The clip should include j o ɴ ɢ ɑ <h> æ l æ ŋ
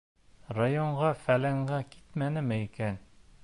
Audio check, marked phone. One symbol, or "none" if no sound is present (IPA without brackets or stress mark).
f